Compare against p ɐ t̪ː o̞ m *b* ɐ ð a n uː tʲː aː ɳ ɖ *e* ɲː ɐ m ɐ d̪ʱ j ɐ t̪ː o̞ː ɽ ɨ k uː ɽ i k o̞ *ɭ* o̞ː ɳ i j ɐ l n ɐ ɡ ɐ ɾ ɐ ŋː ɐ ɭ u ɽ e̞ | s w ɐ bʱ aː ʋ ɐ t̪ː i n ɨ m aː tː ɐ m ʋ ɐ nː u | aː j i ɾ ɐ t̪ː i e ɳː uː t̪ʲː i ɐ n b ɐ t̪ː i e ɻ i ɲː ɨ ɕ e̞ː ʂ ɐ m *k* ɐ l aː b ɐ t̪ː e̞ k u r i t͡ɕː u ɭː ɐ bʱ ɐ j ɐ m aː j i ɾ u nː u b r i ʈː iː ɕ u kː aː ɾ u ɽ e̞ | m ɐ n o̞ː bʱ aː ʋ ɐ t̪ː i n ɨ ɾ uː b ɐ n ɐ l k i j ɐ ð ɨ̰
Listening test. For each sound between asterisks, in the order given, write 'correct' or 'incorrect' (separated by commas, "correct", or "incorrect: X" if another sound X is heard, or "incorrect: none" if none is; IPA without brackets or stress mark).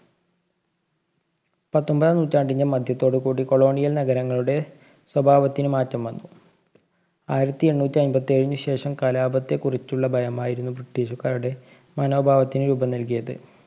correct, incorrect: i, correct, correct